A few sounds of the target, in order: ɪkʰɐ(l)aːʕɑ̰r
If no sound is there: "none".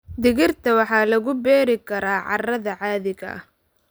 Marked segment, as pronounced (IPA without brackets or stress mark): ɾ